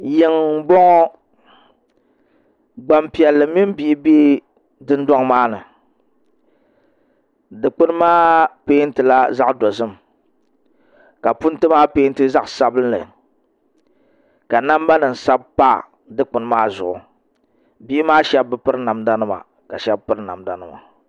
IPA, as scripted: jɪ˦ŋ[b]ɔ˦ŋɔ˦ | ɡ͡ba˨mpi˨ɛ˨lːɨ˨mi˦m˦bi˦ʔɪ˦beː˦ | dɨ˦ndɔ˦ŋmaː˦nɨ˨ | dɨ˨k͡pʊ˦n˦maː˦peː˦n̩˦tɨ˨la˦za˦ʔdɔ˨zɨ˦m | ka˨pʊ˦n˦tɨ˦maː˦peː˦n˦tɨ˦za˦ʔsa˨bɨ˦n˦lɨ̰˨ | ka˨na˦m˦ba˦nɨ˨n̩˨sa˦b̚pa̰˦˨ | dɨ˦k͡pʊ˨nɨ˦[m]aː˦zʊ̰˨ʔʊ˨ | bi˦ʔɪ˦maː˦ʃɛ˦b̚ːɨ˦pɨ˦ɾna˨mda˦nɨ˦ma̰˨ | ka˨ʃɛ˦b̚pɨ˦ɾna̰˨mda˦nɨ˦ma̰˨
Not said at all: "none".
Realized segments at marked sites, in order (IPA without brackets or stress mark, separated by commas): b, m